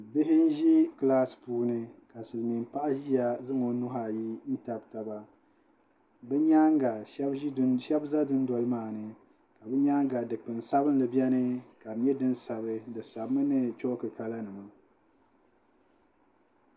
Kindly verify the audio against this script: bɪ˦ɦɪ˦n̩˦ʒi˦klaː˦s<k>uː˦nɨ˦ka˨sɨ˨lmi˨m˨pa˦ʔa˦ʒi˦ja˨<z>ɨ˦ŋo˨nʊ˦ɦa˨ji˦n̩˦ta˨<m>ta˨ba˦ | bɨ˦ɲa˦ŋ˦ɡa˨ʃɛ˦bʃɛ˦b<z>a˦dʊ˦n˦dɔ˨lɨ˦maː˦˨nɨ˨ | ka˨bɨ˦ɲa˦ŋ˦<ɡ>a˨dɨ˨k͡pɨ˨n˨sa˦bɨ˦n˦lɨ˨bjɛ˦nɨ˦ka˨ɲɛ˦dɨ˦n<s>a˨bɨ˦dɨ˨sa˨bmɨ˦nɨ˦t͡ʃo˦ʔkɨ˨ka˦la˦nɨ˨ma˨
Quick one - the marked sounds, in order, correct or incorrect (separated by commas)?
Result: incorrect, correct, incorrect, correct, correct, correct